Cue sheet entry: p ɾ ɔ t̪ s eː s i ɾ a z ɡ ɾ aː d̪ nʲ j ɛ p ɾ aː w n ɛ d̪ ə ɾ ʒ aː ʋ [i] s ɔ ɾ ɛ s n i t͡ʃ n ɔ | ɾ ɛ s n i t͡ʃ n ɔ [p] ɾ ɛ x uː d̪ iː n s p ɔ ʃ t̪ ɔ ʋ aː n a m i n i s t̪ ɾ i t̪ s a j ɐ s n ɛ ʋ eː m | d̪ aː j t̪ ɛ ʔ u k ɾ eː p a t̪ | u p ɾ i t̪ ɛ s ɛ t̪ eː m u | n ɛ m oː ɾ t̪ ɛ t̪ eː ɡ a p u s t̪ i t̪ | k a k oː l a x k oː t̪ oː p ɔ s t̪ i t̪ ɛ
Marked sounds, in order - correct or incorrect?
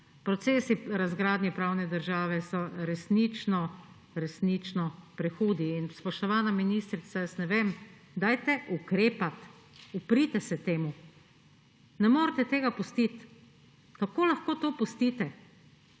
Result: incorrect: ɛ, correct

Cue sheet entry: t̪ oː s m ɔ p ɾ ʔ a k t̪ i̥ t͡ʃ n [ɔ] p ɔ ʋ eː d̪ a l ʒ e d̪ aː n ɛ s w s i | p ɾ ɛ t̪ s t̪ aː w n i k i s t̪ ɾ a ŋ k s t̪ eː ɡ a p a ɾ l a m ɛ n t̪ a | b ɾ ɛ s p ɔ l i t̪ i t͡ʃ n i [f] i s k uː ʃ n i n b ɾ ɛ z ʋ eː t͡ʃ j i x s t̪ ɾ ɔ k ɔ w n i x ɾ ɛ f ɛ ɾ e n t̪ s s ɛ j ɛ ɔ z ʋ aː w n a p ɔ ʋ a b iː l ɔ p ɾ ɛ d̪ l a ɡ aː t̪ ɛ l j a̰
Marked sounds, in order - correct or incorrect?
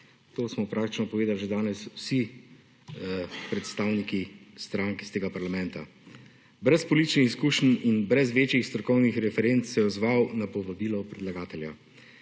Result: correct, incorrect: x

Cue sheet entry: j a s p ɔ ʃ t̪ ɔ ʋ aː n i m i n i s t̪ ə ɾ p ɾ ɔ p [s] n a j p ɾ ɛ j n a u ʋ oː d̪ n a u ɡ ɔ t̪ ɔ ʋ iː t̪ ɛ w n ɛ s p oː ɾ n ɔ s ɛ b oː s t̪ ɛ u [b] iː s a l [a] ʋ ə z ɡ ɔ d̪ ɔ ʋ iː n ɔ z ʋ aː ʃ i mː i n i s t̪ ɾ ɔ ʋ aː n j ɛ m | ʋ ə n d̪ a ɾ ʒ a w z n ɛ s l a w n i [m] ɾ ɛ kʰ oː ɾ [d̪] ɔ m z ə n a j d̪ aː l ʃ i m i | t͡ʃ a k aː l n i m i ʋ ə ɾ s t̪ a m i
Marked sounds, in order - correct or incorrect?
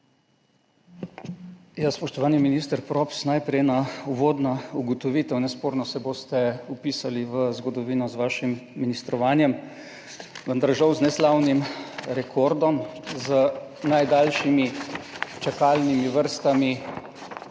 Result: correct, incorrect: p, incorrect: i, correct, correct

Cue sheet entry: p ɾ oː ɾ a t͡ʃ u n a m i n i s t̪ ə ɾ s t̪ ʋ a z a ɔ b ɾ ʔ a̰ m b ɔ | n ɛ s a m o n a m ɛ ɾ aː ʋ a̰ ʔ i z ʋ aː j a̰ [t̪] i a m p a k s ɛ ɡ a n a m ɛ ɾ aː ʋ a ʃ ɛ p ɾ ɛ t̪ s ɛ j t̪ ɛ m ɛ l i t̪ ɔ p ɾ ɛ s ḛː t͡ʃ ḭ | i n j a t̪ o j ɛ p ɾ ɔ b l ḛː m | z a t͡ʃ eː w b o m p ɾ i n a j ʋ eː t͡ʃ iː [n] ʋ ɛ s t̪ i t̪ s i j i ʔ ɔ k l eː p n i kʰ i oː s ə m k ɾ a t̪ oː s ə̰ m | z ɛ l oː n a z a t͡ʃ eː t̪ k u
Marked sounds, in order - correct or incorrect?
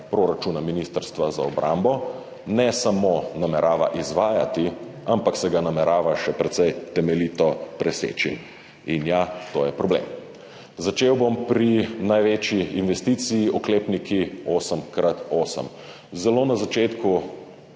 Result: correct, correct

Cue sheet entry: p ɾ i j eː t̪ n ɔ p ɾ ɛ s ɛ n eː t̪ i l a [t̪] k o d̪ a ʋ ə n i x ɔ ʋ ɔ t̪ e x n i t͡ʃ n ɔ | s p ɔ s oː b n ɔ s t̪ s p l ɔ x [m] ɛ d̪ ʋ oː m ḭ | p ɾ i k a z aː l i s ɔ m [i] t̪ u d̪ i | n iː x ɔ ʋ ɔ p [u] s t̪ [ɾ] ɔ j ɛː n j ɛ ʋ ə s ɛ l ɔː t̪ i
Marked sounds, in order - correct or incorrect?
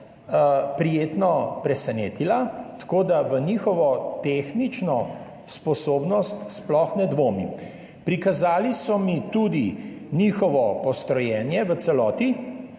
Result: correct, incorrect: n, correct, incorrect: ɔ, correct

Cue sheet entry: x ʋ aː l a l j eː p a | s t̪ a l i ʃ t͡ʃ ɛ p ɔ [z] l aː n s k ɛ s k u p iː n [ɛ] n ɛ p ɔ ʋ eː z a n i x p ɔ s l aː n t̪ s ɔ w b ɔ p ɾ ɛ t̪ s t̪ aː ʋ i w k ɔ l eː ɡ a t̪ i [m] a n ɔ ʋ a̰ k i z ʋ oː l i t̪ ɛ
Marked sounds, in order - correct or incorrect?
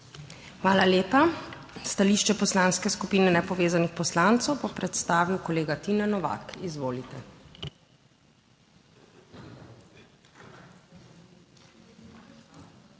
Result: incorrect: s, correct, incorrect: n

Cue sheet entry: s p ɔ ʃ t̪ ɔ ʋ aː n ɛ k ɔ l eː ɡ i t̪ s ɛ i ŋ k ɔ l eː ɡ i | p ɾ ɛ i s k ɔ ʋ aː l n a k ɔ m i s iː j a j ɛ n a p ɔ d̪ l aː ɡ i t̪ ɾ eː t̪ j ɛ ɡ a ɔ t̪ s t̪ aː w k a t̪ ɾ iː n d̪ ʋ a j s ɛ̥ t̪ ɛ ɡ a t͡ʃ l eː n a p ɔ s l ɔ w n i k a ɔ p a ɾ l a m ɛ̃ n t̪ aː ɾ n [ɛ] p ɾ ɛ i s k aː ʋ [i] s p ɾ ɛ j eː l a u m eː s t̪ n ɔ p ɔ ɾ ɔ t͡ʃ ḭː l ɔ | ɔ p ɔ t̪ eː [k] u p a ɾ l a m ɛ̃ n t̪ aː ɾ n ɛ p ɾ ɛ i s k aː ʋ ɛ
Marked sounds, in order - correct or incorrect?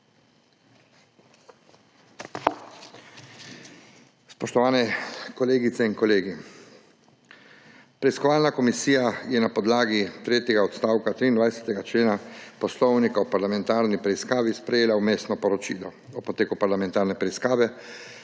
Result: incorrect: i, correct, correct

